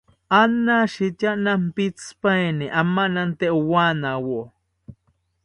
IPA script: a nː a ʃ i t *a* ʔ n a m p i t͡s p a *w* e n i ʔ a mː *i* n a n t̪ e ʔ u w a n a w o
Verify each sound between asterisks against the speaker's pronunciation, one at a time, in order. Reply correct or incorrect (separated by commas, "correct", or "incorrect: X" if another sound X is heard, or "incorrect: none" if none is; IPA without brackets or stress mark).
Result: correct, incorrect: none, incorrect: a